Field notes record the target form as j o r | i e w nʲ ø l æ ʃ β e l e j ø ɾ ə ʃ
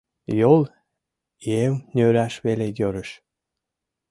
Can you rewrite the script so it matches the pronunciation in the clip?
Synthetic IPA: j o l | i e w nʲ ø ɾ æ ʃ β e l e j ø ɾ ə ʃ